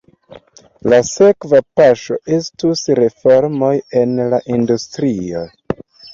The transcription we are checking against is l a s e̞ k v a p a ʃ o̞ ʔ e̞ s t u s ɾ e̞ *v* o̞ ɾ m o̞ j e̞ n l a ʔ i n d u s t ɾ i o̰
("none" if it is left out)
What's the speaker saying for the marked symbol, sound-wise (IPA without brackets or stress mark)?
f